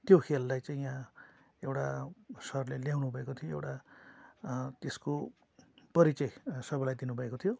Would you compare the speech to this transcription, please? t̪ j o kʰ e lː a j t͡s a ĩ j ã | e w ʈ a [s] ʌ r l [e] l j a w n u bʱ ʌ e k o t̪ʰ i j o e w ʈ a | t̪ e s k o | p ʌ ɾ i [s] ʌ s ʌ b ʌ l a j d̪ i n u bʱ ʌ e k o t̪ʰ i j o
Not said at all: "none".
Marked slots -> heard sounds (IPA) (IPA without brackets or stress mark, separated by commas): s, e, t͡s